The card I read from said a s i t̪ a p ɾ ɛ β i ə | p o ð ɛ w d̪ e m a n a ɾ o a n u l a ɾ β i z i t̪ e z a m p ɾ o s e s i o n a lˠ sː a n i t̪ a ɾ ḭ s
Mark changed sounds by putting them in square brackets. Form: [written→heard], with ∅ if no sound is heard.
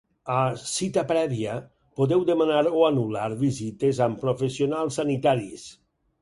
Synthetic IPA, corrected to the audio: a s i t̪ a p ɾ ɛ β i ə | p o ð ɛ w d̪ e m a n a ɾ o a n u l a ɾ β i z i t̪ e z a m p ɾ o [s→f] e s i o n a lˠ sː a n i t̪ a ɾ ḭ s

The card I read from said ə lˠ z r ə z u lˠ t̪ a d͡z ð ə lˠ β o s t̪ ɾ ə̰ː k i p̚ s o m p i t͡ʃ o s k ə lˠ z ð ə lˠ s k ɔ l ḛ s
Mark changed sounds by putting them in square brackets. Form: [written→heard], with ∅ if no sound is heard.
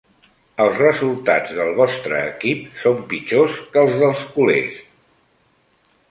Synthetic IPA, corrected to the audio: ə lˠ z r ə z u lˠ t̪ a d͡z ð ə lˠ β [o→ɔ] s t̪ ɾ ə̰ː k i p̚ s o m p i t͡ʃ o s k ə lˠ z ð ə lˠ s k [ɔ→u] l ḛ s

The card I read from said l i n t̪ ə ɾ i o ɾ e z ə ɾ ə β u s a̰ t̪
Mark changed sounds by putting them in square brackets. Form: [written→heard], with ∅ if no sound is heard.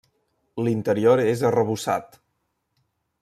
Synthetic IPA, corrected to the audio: l i n t̪ ə ɾ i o ɾ e z ə [ɾ→r] ə β u s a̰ t̪

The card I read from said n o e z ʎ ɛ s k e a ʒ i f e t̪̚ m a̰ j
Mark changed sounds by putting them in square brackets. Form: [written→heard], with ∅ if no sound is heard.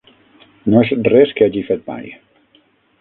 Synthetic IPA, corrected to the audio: n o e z [ʎ→r] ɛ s k e a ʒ i f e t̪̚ m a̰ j

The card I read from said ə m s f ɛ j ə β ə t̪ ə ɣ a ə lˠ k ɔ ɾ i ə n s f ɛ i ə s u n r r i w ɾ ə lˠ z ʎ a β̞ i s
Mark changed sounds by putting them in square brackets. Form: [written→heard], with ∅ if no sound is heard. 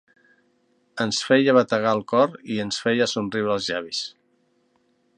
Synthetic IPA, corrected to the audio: ə [m→n] s f ɛ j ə β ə t̪ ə ɣ a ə lˠ k ɔ ɾ i ə n s f ɛ [i→j] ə s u n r r i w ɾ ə lˠ z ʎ a β̞ i s

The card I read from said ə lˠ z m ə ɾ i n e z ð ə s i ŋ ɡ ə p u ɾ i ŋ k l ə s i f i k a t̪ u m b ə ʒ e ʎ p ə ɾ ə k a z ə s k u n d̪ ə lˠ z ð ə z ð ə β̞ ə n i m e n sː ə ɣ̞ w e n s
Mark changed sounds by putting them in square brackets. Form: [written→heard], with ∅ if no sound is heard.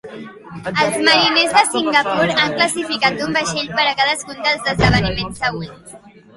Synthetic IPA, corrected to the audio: ə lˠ z m ə ɾ i n e z ð ə s i ŋ ɡ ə p u ɾ [i→a] ŋ k l ə s i f i k a t̪ u m b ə [ʒ→ʃ] e ʎ p ə ɾ ə k a [z→ð] ə s k u n d̪ ə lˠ z ð ə z ð ə β̞ ə n i m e n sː ə ɣ̞ w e n s

